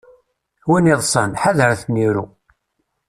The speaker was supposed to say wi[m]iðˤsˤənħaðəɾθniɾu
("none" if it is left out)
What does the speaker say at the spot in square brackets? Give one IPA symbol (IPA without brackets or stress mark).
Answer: n